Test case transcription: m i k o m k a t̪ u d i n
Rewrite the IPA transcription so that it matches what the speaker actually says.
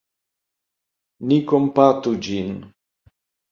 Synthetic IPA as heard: n i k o m p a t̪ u d͡ʒ i n